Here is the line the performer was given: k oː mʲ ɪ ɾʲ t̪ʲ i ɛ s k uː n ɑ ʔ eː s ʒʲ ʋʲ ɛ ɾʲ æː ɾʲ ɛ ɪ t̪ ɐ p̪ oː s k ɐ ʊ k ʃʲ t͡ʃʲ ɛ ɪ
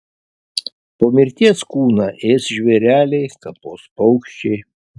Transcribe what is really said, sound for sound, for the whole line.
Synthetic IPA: p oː mʲ ɪ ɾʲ t̪ʲ i ɛ s k uː n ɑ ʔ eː s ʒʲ ʋʲ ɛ ɾʲ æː lʲ ɛ ɪ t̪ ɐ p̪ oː s p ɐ ʊ k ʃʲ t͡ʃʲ ɛ ɪ